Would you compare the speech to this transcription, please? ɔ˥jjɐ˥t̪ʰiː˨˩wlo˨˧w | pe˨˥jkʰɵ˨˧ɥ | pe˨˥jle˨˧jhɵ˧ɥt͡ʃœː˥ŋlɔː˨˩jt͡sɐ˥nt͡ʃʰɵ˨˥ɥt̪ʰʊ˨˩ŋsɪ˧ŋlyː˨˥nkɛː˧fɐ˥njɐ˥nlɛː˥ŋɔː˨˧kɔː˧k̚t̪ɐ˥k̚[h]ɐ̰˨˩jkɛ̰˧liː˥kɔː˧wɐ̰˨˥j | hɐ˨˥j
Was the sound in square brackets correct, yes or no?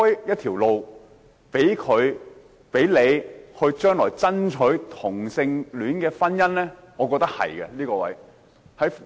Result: yes